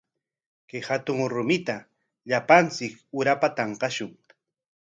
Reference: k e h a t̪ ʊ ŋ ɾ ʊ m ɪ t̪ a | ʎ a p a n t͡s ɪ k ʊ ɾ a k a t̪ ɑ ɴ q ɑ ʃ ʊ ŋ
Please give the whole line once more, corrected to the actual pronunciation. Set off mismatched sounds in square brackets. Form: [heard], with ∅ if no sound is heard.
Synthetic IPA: k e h a t̪ ʊ ŋ ɾ ʊ m ɪ t̪ a | ʎ a p a n t͡s ɪ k ʊ ɾ a [p] a t̪ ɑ ɴ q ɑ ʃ ʊ ŋ